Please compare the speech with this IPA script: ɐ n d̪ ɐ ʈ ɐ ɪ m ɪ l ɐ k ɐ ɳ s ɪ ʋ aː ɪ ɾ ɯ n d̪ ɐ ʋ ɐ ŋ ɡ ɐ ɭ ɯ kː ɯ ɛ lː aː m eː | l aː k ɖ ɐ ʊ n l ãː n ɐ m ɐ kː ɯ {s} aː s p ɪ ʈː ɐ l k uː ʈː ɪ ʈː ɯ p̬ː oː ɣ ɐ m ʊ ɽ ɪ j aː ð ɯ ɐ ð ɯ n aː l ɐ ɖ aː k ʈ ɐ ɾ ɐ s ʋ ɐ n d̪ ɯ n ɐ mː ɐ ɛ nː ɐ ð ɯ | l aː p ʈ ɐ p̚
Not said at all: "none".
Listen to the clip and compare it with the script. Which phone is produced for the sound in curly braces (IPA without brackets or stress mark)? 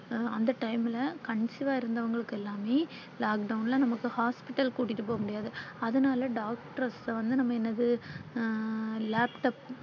h